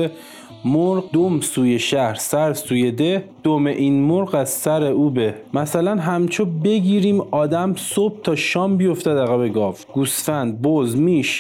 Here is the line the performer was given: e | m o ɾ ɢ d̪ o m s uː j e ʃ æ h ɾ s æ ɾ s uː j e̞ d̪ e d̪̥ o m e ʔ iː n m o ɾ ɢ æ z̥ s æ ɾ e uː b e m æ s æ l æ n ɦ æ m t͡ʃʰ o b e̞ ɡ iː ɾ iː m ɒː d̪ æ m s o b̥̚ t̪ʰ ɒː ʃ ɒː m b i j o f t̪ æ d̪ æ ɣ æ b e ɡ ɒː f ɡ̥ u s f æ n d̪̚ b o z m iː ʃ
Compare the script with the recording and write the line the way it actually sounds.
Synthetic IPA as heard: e | m o ɾ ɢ d̪ o m s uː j e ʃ æ h ɾ s æ ɾ s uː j e̞ d̪ e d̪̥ o m e ʔ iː n m o ɾ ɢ æ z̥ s æ ɾ e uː b e m æ s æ l æ n ɦ æ m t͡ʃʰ o b e̞ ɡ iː ɾ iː m ɒː d̪ æ m s o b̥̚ t̪ʰ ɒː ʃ ɒː m b i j o f t̪ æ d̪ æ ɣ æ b e ɡ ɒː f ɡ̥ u s f æ n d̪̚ b o z m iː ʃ